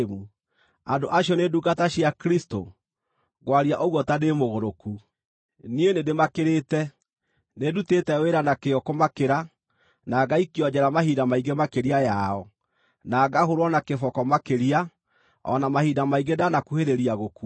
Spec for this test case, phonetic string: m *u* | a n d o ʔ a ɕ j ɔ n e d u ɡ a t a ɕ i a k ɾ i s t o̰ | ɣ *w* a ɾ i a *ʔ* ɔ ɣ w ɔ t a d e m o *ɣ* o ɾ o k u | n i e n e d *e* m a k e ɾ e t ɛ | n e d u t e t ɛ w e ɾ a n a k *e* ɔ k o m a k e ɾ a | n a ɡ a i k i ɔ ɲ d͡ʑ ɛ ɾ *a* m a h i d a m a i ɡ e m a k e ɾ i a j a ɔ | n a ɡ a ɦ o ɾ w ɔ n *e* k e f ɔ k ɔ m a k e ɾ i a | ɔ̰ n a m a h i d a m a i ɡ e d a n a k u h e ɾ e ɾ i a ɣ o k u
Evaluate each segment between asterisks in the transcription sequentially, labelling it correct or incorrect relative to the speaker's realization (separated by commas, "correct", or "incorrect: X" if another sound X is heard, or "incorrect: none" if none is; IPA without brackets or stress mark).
correct, correct, correct, correct, correct, correct, correct, incorrect: a